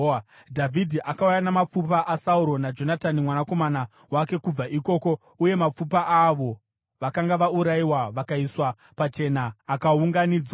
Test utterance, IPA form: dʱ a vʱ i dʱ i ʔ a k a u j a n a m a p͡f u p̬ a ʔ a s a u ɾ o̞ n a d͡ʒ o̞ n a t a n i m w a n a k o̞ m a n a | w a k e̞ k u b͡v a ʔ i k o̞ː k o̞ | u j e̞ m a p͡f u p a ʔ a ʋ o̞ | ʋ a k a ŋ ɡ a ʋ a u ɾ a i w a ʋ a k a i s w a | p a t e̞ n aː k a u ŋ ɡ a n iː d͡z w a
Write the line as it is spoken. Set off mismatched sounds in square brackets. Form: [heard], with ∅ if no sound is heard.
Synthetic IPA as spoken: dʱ a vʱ i dʱ i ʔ a k a u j a n a m a p͡f u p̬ a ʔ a s a u ɾ o̞ n a d͡ʒ o̞ n a t a n i m w a n a k o̞ m a n a | w a k e̞ k u b͡v a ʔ i k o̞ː k o̞ | u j e̞ m a p͡f u p a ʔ a ʋ o̞ | ʋ a k a ŋ ɡ a ʋ a u ɾ a i w a ʋ a k a i s w a | p a [t͡ʃ] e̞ n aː k a u ŋ ɡ a n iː d͡z w a